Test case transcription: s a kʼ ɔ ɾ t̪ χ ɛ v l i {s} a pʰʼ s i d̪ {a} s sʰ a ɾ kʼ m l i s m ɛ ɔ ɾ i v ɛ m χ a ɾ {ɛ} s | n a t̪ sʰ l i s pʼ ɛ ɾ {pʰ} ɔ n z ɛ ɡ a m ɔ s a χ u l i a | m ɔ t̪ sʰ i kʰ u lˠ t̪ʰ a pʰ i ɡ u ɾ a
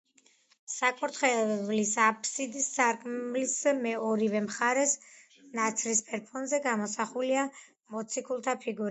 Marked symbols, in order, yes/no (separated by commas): yes, no, yes, yes